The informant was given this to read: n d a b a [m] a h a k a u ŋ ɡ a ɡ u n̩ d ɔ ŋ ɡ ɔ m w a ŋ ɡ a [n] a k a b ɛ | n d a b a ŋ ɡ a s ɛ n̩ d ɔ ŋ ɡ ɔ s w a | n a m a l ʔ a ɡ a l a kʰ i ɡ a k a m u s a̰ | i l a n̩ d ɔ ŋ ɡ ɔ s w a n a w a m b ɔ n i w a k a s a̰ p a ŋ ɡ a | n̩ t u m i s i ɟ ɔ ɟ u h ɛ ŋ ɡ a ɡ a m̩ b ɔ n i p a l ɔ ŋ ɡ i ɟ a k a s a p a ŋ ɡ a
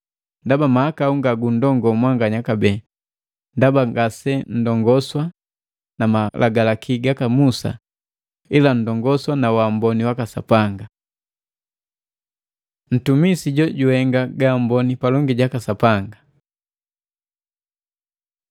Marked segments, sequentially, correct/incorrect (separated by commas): correct, incorrect